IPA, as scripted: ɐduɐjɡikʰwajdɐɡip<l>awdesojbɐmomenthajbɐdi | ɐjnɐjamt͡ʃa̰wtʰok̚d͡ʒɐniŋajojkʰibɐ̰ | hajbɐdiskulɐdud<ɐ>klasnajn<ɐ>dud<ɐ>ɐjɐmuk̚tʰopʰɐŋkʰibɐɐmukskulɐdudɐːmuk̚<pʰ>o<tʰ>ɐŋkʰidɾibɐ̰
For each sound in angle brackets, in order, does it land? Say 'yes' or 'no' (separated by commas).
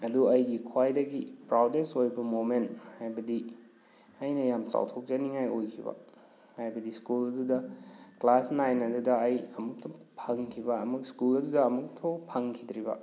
no, yes, yes, yes, no, no